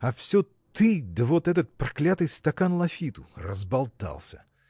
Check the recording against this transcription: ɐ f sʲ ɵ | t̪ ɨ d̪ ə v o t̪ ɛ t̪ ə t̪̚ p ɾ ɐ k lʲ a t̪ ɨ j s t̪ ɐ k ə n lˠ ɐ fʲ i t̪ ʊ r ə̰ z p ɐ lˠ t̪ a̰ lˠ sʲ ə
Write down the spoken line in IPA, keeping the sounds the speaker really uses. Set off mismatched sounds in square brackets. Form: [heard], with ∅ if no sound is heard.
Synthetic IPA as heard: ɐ f sʲ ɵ | t̪ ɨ d̪ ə v o t̪ ɛ t̪ ə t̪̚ p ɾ ɐ k lʲ a t̪ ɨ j s t̪ ɐ k [a] n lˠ ɐ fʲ i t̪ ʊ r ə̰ z [b] ɐ lˠ t̪ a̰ lˠ sʲ ə